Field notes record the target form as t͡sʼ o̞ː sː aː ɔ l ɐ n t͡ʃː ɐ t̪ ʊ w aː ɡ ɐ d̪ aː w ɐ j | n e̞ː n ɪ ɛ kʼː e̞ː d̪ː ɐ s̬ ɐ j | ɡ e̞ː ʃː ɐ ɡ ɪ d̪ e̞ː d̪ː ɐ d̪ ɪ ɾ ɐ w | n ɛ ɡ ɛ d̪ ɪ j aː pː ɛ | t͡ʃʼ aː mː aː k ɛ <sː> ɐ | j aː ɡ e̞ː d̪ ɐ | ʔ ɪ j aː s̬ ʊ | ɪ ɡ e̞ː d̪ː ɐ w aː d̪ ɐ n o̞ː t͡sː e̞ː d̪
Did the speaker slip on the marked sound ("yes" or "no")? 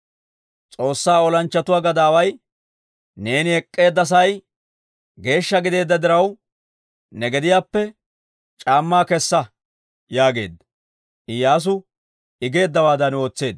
no